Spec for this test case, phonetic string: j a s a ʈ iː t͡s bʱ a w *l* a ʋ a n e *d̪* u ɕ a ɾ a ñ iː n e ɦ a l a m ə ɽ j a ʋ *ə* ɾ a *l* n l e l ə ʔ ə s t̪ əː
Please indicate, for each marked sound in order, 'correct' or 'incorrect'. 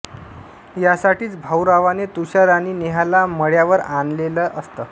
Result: incorrect, incorrect, correct, incorrect

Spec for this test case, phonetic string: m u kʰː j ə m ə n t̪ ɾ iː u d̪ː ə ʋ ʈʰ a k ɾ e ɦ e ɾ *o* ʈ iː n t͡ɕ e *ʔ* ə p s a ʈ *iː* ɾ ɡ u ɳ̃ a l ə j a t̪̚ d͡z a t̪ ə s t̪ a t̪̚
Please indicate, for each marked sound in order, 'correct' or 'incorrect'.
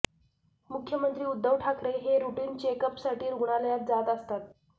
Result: incorrect, incorrect, correct

